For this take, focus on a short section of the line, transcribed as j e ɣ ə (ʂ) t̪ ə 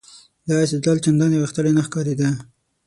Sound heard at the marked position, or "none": x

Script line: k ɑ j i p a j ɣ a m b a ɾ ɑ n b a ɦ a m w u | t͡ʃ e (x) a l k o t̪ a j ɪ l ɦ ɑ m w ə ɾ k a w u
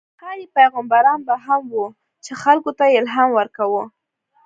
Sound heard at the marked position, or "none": x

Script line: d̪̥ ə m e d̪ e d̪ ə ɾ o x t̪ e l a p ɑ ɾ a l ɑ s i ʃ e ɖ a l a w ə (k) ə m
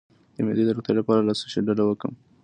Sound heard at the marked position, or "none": k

